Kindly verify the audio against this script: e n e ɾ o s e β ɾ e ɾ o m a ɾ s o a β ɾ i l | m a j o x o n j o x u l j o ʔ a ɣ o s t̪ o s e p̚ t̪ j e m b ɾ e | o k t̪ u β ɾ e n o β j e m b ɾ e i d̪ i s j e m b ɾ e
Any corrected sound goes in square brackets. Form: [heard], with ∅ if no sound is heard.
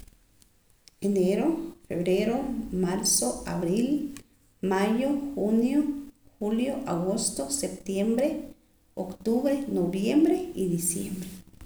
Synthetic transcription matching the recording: e n e ɾ o [f] e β ɾ e ɾ o m a ɾ s o a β ɾ i l | m a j o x [u] n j o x u l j o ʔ a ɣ o s t̪ o s e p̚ t̪ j e m b ɾ e | o k t̪ u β ɾ e n o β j e m b ɾ e i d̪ i s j e m b ɾ e